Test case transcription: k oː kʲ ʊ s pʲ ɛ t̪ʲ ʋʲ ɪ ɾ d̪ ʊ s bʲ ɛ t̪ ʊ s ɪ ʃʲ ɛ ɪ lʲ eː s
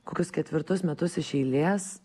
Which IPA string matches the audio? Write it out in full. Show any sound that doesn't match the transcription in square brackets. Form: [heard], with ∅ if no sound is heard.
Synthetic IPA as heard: k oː kʲ ʊ s [kʲ] ɛ t̪ʲ ʋʲ ɪ ɾ [t̪] ʊ s [mʲ] ɛ t̪ ʊ s ɪ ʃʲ ɛ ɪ lʲ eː s

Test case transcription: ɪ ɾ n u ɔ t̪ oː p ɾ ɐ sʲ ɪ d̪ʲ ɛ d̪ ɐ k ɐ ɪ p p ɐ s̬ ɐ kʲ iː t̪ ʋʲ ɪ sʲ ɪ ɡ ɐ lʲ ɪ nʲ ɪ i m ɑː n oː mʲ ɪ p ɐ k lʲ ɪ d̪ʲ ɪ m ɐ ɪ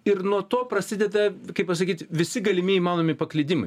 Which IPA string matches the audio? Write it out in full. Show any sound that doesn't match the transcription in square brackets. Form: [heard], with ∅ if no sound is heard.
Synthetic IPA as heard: ɪ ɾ n u ɔ t̪ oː p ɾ ɐ sʲ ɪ d̪ʲ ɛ d̪ ɐ k ɐ ɪ p p ɐ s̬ ɐ kʲ iː t̪ ʋʲ ɪ sʲ ɪ ɡ ɐ lʲ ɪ [mʲ] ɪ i m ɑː n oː mʲ ɪ p ɐ k lʲ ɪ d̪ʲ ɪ m ɐ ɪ

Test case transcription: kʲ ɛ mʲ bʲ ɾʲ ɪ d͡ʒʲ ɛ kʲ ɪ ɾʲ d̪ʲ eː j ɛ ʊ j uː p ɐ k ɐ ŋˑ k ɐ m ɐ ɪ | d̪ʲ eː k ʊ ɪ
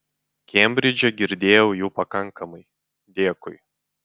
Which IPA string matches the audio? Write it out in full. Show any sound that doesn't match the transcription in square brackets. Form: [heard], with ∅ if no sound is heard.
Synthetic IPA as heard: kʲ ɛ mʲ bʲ ɾʲ ɪ d͡ʒʲ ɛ [ɡʲ] ɪ ɾʲ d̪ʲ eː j ɛ ʊ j uː p ɐ k ɐ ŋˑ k ɐ m ɐ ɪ | d̪ʲ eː k ʊ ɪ

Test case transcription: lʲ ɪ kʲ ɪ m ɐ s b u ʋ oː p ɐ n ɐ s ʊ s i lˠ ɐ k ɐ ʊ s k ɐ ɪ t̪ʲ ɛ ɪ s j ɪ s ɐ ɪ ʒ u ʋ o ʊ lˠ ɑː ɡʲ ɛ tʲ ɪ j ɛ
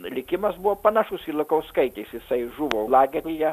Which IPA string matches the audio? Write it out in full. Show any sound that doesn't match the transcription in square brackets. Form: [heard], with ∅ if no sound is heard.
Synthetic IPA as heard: lʲ ɪ kʲ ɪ m ɐ s b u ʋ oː p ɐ n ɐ [ʃ] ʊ s i lˠ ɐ k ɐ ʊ s k ɐ ɪ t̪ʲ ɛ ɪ s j ɪ s ɐ ɪ ʒ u ʋ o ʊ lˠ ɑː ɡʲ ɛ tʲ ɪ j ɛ

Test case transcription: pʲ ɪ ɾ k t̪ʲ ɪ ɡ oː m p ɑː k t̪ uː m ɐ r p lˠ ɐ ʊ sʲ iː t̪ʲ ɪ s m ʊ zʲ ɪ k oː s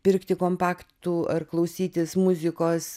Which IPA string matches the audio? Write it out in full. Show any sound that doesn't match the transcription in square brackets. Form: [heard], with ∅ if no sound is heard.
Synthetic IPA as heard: pʲ ɪ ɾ k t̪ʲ ɪ [k] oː m p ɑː k t̪ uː [∅] ɐ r [k] lˠ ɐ ʊ sʲ iː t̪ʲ ɪ s m ʊ zʲ ɪ k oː s

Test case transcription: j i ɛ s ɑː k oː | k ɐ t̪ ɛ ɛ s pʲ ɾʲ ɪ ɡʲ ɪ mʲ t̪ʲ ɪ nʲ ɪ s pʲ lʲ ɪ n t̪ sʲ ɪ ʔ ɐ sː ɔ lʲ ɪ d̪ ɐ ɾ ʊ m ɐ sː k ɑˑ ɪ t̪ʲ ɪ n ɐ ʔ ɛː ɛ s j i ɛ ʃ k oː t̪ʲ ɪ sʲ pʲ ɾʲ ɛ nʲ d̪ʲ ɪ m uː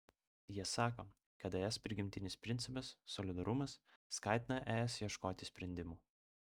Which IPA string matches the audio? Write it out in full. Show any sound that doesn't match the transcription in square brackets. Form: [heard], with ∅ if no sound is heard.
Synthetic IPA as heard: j i ɛ s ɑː k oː | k ɐ t̪ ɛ ɛ s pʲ ɾʲ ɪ ɡʲ ɪ mʲ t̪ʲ ɪ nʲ ɪ s pʲ [ɾʲ] ɪ n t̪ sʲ ɪ [p] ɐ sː ɔ lʲ ɪ d̪ ɐ ɾ ʊ m ɐ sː k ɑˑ ɪ t̪ʲ ɪ n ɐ ʔ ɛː ɛ s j i ɛ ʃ k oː t̪ʲ ɪ sʲ pʲ ɾʲ ɛ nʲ d̪ʲ ɪ m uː

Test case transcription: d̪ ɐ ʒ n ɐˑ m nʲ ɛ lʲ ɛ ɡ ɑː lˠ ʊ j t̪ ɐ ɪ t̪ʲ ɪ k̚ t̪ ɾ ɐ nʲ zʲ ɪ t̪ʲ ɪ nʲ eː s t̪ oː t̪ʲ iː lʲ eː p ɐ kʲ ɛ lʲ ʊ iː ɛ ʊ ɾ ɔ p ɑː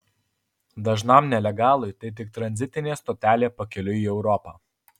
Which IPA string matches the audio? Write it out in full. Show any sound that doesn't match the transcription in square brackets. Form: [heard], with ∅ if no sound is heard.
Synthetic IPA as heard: d̪ ɐ ʒ n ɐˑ m nʲ ɛ lʲ ɛ ɡ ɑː lˠ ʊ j t̪ ɐ ɪ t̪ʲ ɪ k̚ t̪ ɾ ɐ nʲ zʲ ɪ t̪ʲ ɪ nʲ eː s t̪ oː t̪ʲ [æː] lʲ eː p ɐ kʲ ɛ lʲ ʊ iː ɛ ʊ ɾ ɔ p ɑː

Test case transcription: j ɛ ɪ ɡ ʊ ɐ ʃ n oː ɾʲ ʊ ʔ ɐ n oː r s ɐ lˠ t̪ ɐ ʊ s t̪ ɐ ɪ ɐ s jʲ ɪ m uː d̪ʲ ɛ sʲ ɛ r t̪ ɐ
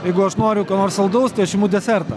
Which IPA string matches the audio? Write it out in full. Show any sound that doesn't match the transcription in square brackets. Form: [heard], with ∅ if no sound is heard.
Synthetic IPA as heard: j ɛ ɪ ɡ ʊ ɐ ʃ n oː ɾʲ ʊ [k] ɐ n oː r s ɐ lˠ [d̪] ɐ ʊ s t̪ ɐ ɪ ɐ [ʃ] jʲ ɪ m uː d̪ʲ ɛ sʲ ɛ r t̪ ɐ

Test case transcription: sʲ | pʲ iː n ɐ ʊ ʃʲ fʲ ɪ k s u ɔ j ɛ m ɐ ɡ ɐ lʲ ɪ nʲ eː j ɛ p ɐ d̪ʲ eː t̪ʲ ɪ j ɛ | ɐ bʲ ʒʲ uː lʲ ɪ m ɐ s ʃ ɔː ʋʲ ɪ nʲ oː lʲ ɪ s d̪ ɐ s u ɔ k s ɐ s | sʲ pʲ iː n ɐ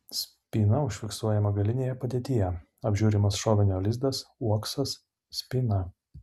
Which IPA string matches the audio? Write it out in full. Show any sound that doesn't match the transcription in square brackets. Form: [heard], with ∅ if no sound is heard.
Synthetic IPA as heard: sʲ | pʲ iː n ɐ ʊ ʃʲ fʲ ɪ k s u ɔ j ɛ m ɐ ɡ ɐ lʲ ɪ nʲ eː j ɛ p ɐ d̪ʲ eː t̪ʲ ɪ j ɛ | ɐ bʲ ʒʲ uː [ɾʲ] ɪ m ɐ s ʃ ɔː ʋʲ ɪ nʲ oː lʲ ɪ [z] d̪ ɐ s u ɔ k s ɐ s | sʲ pʲ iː n ɐ

